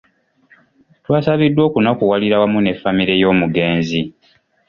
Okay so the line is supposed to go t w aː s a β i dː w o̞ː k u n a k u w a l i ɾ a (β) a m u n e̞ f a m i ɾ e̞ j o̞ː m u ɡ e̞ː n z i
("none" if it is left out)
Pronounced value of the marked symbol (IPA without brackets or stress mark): w